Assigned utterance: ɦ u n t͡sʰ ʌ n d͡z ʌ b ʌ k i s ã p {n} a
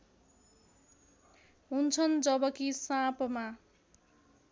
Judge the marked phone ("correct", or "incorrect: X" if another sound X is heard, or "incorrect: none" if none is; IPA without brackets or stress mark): incorrect: m